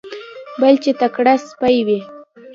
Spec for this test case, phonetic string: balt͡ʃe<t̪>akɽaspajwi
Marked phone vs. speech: correct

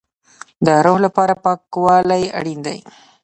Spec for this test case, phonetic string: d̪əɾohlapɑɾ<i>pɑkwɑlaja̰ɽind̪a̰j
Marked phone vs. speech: incorrect: a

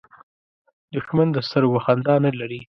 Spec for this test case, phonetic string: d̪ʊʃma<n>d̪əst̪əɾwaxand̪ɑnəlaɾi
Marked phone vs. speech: correct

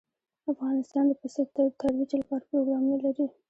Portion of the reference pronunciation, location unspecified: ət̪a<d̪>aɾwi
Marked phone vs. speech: incorrect: t̪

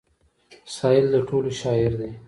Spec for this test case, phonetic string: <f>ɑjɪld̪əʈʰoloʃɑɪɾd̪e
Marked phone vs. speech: incorrect: s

